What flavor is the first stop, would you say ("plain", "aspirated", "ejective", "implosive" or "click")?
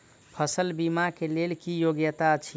aspirated